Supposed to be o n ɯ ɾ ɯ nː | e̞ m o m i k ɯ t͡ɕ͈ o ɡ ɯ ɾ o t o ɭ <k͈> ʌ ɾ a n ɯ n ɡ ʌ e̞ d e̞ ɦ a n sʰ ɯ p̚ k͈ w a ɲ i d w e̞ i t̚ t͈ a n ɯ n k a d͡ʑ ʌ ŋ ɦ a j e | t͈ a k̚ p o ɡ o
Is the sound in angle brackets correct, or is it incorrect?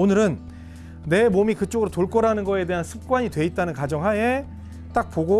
correct